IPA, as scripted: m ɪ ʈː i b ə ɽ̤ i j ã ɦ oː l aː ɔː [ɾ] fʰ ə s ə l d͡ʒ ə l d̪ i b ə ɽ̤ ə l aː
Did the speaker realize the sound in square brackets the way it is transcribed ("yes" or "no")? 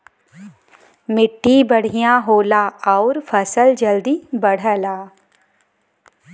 yes